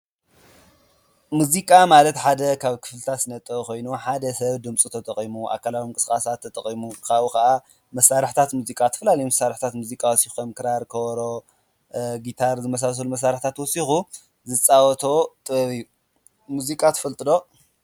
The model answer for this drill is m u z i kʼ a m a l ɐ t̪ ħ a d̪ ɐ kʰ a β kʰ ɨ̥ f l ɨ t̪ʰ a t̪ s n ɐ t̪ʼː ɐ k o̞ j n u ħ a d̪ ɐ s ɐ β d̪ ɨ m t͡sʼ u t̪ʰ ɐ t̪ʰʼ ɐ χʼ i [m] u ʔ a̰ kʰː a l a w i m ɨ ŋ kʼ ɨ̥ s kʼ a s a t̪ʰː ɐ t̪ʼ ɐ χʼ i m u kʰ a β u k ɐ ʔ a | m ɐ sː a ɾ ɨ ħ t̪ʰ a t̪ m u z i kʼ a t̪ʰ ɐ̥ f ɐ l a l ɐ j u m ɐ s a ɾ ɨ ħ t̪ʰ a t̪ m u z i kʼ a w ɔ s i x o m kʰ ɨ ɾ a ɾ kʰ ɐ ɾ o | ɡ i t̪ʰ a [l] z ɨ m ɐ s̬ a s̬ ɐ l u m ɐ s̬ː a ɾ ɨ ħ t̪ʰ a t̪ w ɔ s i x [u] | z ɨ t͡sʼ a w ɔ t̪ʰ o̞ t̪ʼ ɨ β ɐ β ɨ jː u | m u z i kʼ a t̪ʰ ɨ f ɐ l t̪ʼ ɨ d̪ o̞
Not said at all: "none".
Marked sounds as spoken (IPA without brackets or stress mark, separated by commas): m, ɾ, u